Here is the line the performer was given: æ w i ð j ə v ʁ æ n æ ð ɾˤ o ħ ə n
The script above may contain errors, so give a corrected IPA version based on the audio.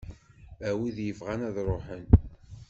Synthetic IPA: æ w i ð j ə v ʁ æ n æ ð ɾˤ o ħ ə n